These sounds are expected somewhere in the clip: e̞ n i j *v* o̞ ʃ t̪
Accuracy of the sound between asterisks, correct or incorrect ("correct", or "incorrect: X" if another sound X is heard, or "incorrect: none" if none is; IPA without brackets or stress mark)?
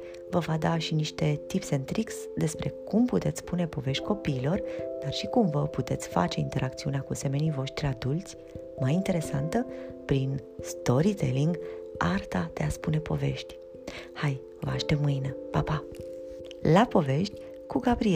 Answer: correct